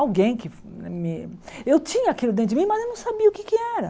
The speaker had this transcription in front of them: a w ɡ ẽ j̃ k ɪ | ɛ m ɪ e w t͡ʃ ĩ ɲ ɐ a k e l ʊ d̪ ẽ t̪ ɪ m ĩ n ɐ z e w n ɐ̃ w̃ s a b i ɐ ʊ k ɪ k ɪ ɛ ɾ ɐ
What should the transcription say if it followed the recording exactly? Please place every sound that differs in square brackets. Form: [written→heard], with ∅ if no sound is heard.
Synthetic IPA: a w ɡ ẽ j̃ k ɪ | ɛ m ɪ e w t͡ʃ ĩ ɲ ɐ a k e l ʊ d̪ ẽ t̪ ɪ m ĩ [n→m] ɐ z e w n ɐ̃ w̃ s a b i ɐ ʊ k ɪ k ɪ ɛ ɾ ɐ